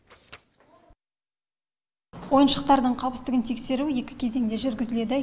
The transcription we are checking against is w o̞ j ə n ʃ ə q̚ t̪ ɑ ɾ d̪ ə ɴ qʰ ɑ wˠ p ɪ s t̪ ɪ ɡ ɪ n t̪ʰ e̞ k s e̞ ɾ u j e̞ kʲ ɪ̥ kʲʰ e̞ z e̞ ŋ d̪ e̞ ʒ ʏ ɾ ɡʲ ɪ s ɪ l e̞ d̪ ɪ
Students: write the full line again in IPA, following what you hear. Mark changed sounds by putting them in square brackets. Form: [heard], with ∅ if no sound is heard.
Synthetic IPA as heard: w o̞ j ə n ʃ ə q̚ t̪ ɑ ɾ d̪ ə ɴ qʰ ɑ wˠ p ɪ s t̪ ɪ ɡ ɪ n t̪ʰ e̞ k s e̞ ɾ u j e̞ kʲ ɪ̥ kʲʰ e̞ z e̞ ŋ d̪ e̞ ʒ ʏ ɾ ɡʲ ɪ [z] ɪ l e̞ d̪ ɪ